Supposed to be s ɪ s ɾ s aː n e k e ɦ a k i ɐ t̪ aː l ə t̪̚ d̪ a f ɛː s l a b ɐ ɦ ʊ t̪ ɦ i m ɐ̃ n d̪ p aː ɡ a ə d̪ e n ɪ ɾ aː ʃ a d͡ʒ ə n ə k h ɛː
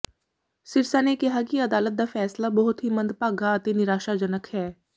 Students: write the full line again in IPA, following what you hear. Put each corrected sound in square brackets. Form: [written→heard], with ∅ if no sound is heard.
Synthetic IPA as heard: s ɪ [s→∅] ɾ s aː n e k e ɦ a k i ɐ [t̪→d̪] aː l ə t̪̚ d̪ a f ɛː s l a b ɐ ɦ ʊ t̪ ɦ i m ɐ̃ n d̪ p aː ɡ a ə [d̪→t̪] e n ɪ ɾ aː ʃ a d͡ʒ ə n ə k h ɛː